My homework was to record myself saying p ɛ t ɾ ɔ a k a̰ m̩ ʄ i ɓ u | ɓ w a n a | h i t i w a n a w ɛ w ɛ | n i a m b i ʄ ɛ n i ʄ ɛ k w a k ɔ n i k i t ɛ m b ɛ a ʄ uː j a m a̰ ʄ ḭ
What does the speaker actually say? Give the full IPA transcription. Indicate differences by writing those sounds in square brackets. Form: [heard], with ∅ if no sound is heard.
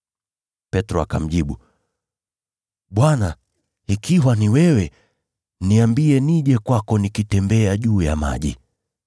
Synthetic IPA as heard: p ɛ t ɾ ɔ a k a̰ m̩ ʄ i ɓ u | ɓ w a n a | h i [k] i w a n [i] w ɛ w ɛ | n i a m b i [∅] ɛ n i ʄ ɛ k w a k ɔ n i k i t ɛ m b ɛ a ʄ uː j a m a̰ ʄ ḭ